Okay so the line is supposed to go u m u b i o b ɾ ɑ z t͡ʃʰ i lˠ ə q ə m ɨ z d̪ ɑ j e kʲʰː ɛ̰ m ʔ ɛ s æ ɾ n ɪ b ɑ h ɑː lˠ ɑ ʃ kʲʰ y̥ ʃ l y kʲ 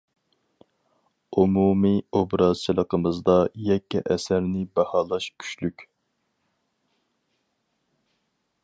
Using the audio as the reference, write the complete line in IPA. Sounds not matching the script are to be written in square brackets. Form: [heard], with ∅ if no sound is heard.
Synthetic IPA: u m u [m] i o b ɾ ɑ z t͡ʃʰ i lˠ ə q ə m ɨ z d̪ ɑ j [ɛ] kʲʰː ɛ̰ [∅] ʔ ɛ s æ ɾ n ɪ b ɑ h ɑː lˠ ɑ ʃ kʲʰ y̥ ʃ l y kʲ